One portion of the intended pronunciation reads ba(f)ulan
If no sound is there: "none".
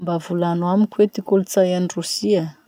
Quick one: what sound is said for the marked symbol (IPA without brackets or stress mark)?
v